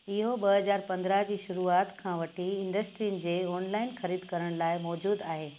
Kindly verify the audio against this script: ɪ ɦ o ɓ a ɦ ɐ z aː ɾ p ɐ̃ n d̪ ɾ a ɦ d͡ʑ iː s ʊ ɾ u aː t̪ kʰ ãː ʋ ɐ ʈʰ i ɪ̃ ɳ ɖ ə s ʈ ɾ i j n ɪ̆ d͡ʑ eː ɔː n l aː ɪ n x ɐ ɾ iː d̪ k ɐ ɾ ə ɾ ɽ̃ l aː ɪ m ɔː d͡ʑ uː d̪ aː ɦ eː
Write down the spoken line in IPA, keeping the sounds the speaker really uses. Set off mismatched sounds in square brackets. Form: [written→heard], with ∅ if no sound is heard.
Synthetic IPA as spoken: ɪ ɦ o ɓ [a→ɐ] ɦ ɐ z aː ɾ p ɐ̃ n d̪ ɾ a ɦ d͡ʑ iː [s→ʃ] ʊ ɾ u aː t̪ kʰ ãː ʋ ɐ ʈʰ i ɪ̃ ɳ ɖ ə s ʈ ɾ i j n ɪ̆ d͡ʑ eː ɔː n l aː ɪ n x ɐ ɾ iː d̪ k ɐ ɾ ə [ɾ→∅] ɽ̃ l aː ɪ m ɔː d͡ʑ uː d̪ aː ɦ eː